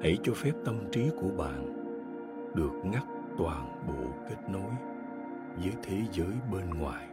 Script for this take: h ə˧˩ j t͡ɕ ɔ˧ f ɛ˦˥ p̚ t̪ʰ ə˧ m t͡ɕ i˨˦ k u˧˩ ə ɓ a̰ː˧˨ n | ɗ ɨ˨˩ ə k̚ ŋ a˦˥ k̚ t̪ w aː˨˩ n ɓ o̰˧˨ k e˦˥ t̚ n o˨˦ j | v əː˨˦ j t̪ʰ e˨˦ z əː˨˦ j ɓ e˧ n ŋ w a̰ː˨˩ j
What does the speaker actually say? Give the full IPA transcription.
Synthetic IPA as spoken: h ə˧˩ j t͡ɕ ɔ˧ f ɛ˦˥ p̚ t̪ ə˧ m t͡ɕ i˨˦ k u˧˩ ə ɓ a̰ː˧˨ n | ɗ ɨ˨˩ ə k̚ ŋ a˦˥ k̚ t̪ w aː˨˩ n ɓ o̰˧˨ k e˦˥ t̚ n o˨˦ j | z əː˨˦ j t̪ʰ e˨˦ z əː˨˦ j ɓ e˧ n ŋ w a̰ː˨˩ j